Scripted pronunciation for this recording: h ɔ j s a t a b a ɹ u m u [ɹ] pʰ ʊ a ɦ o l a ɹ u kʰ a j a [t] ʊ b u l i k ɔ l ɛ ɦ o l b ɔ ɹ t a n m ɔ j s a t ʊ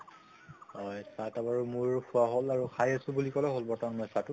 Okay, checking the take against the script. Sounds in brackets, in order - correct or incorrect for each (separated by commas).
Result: correct, incorrect